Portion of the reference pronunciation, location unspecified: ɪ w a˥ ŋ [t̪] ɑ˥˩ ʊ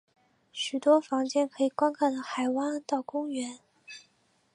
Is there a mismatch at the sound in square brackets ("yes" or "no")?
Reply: no